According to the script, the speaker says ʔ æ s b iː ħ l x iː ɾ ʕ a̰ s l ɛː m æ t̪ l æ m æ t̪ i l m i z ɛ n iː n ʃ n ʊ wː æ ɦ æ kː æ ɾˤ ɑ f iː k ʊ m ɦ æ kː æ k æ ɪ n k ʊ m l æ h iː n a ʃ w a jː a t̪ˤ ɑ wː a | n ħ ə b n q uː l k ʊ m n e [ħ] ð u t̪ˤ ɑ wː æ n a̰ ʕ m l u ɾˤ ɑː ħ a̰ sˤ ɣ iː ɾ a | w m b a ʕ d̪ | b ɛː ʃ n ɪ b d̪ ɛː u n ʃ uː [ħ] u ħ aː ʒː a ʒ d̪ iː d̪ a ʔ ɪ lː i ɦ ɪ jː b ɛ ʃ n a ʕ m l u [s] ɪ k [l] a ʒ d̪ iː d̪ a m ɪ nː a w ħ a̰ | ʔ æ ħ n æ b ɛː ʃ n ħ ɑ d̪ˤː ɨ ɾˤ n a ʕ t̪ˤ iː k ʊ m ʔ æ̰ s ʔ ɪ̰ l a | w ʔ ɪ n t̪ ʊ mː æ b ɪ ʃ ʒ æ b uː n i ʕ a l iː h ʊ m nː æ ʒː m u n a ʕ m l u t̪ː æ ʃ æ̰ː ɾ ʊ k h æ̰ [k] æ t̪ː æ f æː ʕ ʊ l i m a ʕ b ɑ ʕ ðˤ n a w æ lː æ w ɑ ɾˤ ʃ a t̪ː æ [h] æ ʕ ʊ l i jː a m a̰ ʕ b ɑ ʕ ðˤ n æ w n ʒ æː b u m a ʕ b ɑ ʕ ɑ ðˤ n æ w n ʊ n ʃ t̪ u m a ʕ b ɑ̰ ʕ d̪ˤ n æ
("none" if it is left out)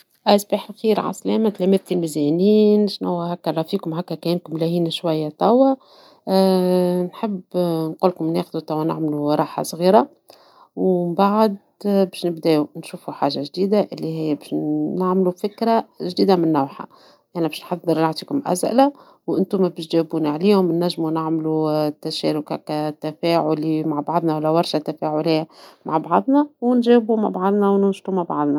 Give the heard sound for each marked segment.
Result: x, f, f, ɾ, k, f

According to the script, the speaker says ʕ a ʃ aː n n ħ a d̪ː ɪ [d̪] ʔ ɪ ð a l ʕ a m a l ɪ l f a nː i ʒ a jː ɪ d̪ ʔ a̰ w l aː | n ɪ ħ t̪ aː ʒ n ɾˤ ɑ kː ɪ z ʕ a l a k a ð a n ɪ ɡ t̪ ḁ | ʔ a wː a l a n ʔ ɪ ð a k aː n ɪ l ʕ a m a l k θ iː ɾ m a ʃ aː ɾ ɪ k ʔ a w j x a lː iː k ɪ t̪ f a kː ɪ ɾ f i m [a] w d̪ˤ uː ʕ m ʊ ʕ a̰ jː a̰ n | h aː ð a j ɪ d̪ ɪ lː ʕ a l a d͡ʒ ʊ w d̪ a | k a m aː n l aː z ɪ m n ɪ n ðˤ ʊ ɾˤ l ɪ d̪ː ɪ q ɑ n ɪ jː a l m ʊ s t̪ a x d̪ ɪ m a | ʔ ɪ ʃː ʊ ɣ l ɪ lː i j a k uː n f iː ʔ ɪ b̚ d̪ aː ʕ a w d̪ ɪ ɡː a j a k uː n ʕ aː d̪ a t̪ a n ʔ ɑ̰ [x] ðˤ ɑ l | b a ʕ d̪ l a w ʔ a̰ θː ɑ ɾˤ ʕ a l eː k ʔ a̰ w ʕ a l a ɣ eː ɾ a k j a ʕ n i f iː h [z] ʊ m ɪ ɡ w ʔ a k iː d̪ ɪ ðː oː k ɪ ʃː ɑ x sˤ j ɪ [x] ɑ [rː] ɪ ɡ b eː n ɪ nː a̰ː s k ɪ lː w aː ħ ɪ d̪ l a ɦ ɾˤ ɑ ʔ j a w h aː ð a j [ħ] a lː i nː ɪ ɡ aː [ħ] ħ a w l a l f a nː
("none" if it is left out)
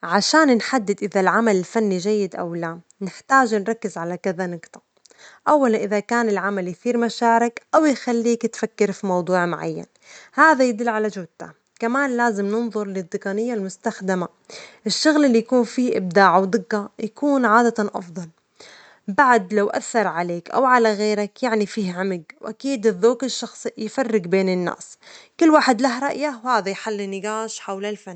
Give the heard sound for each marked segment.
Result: d̪, ɑ, f, ʕ, f, rː, ħ, ʃ

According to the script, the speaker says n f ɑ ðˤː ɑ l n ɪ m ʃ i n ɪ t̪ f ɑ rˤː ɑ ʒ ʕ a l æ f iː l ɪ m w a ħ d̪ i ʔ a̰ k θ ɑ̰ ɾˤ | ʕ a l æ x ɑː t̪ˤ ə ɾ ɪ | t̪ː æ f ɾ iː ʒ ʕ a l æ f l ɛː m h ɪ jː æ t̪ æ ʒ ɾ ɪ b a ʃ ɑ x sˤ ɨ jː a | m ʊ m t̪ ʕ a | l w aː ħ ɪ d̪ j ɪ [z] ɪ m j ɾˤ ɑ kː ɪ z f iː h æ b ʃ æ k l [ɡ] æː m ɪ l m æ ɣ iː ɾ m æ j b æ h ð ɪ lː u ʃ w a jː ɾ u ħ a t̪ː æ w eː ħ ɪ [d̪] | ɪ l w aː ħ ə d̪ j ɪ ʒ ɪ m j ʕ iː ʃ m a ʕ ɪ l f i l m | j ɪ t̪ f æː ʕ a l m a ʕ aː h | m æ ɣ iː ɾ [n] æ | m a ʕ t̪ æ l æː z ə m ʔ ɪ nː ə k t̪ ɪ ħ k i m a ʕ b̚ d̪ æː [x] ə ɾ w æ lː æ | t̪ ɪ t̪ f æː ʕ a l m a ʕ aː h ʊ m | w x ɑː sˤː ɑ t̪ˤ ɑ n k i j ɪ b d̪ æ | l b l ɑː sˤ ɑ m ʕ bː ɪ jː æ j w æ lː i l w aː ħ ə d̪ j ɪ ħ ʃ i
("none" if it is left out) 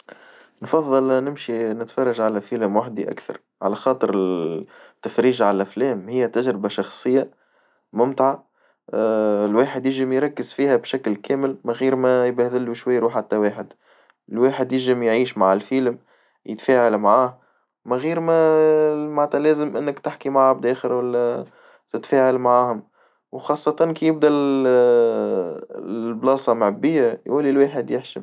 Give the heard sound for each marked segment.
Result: ʒ, k, d̪, m, x

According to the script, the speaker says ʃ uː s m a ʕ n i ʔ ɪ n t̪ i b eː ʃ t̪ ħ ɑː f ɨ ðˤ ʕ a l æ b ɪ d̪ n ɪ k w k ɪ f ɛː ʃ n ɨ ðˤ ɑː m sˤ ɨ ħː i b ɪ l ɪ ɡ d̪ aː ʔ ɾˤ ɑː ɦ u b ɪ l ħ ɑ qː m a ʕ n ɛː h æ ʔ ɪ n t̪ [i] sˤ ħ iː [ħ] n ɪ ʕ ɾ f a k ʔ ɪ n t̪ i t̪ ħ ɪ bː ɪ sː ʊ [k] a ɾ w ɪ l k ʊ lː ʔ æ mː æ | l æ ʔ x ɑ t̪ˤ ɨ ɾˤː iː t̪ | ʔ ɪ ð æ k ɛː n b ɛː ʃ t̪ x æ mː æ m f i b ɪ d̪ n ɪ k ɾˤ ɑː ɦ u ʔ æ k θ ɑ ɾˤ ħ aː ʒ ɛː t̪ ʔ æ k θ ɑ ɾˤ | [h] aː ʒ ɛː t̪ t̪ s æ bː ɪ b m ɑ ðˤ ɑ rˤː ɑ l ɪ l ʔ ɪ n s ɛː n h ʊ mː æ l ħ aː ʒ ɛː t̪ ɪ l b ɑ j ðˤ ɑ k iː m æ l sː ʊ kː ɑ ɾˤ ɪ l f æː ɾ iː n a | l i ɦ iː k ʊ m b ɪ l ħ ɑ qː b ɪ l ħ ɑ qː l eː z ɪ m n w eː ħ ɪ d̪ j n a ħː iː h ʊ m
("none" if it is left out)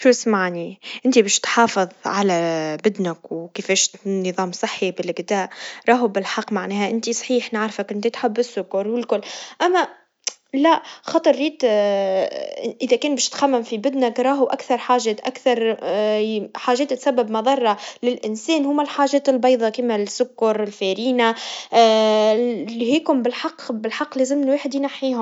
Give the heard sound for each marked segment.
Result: i, ħ, k, ħ

